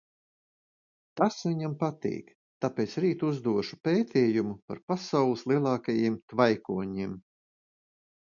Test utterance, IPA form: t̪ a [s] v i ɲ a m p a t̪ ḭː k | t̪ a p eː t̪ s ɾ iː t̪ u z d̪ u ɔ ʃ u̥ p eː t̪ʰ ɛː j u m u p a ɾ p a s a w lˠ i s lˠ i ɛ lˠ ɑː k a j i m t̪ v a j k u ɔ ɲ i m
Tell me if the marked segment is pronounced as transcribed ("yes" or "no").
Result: yes